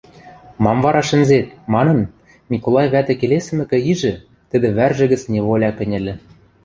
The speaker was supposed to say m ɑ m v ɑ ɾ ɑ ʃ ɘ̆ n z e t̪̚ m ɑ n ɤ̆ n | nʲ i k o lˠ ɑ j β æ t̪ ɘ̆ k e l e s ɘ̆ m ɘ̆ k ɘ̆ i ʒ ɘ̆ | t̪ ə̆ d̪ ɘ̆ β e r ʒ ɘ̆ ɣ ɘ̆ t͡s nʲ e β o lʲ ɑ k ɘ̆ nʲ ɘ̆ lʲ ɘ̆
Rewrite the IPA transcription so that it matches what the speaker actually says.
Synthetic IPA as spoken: m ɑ m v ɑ ɾ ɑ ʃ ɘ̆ n z e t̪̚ m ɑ n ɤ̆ n | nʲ i k o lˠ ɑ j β æ t̪ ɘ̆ k e l e s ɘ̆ m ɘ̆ k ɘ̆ i ʒ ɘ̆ | t̪ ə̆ d̪ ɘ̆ β æ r ʒ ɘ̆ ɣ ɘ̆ t͡s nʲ e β o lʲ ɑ k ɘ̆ nʲ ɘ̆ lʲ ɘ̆